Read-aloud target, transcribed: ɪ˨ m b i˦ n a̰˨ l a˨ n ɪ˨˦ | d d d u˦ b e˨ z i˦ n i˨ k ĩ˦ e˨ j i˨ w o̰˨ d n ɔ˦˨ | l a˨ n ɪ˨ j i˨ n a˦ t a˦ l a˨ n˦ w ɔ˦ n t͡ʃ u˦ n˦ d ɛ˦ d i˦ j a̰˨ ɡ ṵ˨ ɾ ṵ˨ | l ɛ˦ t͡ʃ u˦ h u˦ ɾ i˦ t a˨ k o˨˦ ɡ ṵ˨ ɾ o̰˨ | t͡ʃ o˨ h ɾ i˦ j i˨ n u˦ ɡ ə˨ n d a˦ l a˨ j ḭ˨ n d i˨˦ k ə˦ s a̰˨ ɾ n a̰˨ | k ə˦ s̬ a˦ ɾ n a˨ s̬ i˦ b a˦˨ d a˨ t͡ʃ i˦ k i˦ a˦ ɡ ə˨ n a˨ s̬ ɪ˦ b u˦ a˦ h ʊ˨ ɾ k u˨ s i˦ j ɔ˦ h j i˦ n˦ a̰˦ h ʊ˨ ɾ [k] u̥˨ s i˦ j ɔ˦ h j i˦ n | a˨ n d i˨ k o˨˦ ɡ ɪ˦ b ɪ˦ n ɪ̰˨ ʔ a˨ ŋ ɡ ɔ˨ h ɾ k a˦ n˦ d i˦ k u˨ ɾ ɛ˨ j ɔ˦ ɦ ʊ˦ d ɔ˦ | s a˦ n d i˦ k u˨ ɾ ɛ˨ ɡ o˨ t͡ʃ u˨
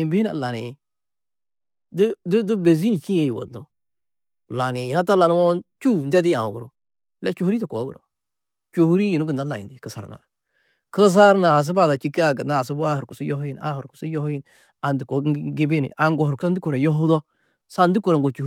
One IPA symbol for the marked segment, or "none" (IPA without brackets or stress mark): k